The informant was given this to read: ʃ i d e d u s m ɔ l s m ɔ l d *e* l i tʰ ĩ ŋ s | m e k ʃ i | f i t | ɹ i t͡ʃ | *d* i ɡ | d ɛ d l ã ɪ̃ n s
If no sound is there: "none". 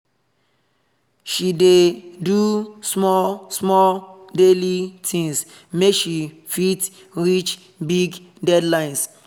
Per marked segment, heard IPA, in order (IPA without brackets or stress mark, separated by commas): e, b